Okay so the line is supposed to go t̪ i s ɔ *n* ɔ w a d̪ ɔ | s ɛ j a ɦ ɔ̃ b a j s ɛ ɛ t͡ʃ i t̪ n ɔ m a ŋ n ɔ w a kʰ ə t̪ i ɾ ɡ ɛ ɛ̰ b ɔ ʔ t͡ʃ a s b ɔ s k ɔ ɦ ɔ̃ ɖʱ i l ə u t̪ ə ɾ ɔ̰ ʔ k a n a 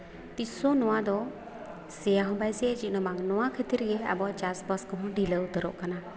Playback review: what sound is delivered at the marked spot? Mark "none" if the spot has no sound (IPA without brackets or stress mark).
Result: n